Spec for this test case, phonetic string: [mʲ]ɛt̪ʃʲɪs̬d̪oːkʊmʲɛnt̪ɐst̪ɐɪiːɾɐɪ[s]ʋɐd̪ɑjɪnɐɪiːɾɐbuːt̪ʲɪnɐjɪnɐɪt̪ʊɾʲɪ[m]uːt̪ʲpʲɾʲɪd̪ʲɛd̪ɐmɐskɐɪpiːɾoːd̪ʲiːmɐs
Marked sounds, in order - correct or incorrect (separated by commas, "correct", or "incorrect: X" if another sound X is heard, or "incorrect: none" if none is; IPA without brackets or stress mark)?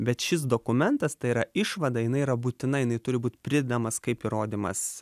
incorrect: bʲ, incorrect: ʃ, incorrect: b